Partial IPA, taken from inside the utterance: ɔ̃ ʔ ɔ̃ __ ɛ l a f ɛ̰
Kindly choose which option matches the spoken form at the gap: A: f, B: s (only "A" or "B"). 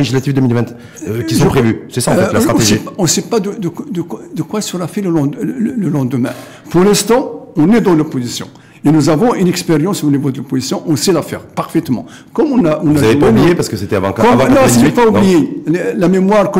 B